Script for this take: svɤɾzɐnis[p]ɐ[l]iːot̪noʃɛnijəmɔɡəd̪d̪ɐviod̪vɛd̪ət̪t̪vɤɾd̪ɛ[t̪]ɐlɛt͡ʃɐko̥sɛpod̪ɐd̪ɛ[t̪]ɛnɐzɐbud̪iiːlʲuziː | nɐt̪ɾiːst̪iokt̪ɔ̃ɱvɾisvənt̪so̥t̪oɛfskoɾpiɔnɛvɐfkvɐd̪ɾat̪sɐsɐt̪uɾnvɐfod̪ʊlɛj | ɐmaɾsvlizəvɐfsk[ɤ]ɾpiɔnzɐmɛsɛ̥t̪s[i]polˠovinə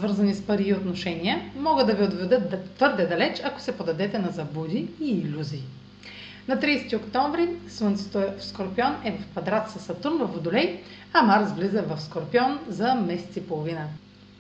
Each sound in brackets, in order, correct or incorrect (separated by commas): correct, incorrect, incorrect, correct, incorrect, correct